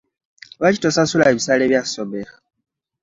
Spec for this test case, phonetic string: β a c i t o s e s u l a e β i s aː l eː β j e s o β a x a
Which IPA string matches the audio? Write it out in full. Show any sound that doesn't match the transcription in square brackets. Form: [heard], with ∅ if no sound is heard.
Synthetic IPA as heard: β a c i t o s [a] s u l a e β i s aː l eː β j [a] s o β [e] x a